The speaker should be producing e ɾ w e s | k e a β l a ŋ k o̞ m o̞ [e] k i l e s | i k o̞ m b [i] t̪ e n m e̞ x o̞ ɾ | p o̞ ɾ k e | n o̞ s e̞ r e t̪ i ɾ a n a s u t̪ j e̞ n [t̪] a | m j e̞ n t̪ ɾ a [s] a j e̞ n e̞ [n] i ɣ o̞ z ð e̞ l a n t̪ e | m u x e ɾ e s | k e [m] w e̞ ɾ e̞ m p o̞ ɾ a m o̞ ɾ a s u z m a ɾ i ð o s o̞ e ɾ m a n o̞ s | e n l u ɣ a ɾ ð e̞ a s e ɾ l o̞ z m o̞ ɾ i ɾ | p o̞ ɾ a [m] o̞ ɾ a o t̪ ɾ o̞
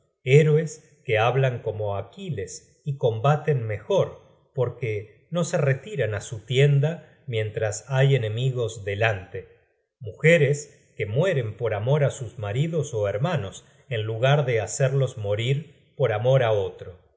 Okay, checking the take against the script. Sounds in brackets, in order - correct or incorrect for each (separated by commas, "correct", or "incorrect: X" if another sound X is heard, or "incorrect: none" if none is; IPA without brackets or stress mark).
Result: incorrect: a, incorrect: a, incorrect: d̪, correct, incorrect: m, correct, correct